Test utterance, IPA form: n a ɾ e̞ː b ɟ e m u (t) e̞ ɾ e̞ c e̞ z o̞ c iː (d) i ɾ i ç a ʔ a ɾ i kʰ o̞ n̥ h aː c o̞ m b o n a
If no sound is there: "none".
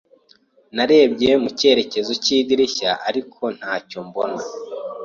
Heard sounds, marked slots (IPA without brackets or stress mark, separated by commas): c, d